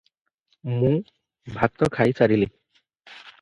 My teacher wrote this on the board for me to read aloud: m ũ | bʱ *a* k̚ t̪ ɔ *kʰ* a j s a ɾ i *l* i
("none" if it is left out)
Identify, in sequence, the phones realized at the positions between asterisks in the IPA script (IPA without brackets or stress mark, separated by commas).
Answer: a, kʰ, l